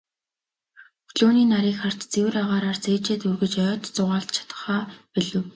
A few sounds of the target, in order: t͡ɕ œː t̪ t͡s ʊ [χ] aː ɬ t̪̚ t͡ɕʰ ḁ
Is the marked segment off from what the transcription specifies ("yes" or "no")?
yes